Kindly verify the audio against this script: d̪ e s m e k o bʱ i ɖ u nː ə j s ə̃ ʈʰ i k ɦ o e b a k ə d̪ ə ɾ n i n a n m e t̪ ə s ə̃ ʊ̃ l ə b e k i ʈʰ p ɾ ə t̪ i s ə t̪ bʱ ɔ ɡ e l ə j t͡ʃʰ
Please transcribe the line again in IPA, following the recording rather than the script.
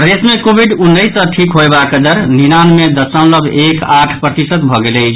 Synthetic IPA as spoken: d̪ e s m e k o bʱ i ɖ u nː ə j s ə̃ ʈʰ i k ɦ o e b a k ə d̪ ə ɾ n i n a n m e d̪ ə s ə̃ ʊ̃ l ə b e k a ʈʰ p ɾ ə t̪ i s ə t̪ bʱ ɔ ɡ e l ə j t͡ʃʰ